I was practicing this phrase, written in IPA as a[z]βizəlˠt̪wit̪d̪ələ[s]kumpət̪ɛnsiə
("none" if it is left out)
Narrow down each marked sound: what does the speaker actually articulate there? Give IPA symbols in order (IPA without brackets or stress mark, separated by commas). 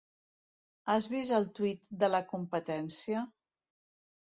z, none